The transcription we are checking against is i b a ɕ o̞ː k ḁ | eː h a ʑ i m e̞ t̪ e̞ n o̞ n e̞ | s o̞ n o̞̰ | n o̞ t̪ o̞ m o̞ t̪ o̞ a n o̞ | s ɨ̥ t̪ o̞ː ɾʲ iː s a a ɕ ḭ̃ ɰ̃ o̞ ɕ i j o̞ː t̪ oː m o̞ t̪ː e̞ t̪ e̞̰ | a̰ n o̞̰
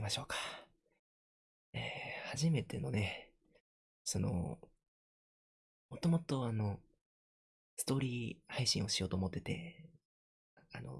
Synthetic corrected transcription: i m a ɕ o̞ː k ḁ | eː h a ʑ i m e̞ t̪ e̞ n o̞ n e̞ | s o̞ n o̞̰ | m o̞ t̪ o̞ m o̞ t̪ o̞ a n o̞ | s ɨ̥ t̪ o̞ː ɾʲ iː h a i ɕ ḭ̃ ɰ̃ o̞ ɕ i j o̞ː t̪ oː m o̞ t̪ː e̞ t̪ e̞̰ | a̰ n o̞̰